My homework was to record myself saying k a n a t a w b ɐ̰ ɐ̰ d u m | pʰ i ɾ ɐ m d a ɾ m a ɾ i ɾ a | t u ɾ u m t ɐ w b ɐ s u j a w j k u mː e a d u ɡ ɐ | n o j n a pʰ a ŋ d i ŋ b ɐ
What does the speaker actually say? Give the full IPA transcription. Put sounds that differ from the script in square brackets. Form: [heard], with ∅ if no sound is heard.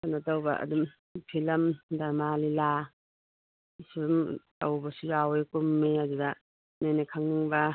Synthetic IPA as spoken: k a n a t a w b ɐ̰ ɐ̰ d u m | pʰ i [l] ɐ m d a ɾ m a [l] i [l] a | [s] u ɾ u m t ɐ w b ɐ s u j a w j k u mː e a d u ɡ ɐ | n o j n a [kʰ] a ŋ [n] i ŋ b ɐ

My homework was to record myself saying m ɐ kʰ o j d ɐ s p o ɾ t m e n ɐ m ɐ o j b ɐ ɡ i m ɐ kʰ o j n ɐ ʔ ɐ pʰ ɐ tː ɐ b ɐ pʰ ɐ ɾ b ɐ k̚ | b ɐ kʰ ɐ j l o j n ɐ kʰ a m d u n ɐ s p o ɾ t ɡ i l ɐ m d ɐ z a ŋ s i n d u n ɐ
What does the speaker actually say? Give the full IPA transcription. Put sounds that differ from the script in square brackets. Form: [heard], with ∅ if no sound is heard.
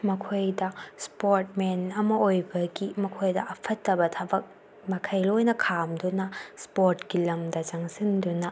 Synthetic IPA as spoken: m ɐ kʰ o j d ɐ s p o ɾ t m e n ɐ m ɐ o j b ɐ ɡ i m ɐ kʰ o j [d] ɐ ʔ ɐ pʰ ɐ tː ɐ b ɐ [tʰ] ɐ [∅] b ɐ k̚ | [m] ɐ kʰ ɐ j l o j n ɐ kʰ a m d u n ɐ s p o ɾ t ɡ i l ɐ m d ɐ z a ŋ s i n d u n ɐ

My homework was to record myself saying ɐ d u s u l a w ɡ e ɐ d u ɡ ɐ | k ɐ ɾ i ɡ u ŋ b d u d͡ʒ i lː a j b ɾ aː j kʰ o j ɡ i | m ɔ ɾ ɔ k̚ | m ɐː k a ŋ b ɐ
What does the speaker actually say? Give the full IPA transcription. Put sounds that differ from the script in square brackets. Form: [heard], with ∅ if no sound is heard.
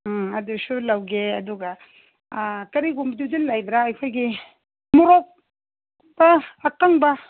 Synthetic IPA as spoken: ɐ d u s u l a w ɡ e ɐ d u ɡ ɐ | k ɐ ɾ i ɡ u [m] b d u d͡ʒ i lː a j b ɾ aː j kʰ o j ɡ i | m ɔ ɾ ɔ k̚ | [b] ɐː k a ŋ b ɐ

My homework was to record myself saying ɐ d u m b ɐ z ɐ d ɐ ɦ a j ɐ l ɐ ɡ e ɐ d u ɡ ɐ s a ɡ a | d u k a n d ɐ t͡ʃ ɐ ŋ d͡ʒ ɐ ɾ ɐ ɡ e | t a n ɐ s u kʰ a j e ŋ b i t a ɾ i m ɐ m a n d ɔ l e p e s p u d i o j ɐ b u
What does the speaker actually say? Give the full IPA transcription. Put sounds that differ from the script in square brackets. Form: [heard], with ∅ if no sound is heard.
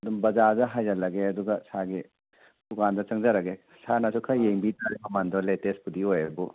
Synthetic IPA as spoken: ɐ d u m b ɐ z [a] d ɐ ɦ a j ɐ l ɐ ɡ e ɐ d u ɡ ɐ s a ɡ [i] | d u k a n d ɐ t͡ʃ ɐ ŋ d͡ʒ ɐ ɾ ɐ ɡ e | [s] a n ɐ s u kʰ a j e ŋ b i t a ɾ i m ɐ m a n d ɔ l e [t] e s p u d i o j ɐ b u

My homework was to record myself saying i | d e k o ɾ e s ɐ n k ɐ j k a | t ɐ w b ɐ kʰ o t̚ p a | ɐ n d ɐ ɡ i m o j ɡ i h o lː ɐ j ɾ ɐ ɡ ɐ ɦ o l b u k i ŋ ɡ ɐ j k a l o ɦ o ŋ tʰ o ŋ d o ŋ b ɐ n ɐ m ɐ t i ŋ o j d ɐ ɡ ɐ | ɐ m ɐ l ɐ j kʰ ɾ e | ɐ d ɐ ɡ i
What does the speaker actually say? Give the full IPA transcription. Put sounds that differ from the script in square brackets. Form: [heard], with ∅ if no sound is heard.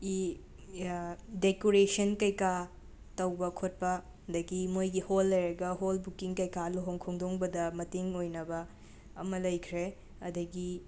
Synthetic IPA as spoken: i | d e k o ɾ e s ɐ n k ɐ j k a | t ɐ w b ɐ kʰ o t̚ p [ɐ] | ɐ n d ɐ ɡ i m o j ɡ i h o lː ɐ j ɾ ɐ ɡ ɐ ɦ o l b u k i ŋ [k] ɐ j k a l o ɦ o ŋ [kʰ] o ŋ d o ŋ b ɐ [d] ɐ m ɐ t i ŋ o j [n] ɐ [b] ɐ | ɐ m ɐ l ɐ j kʰ ɾ e | ɐ d ɐ ɡ i

